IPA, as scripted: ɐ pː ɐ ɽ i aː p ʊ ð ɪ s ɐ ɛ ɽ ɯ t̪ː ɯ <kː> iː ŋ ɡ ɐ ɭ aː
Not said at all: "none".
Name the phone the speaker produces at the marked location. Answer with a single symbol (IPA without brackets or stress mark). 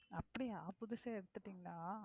ʈː